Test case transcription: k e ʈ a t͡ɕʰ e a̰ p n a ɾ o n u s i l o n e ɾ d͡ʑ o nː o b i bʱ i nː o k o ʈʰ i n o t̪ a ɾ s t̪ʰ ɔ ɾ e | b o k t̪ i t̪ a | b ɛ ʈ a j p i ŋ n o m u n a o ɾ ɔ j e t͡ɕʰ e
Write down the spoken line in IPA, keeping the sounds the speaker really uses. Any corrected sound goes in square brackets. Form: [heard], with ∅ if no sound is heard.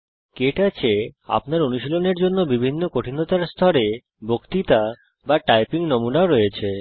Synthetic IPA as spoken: k e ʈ a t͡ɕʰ e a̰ p n a ɾ o n u [ʃ] i l o n e ɾ d͡ʑ o nː o b i bʱ i nː o k o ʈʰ i n o t̪ a ɾ s t̪ʰ ɔ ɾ e | b o k t̪ i t̪ a | b [a] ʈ a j p i ŋ n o m u n a o ɾ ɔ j e t͡ɕʰ e